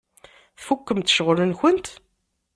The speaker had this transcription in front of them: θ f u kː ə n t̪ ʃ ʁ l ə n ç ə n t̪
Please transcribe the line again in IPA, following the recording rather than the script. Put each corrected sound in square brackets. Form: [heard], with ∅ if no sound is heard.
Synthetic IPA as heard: θ f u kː ə [m] t̪ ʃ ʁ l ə n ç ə n t̪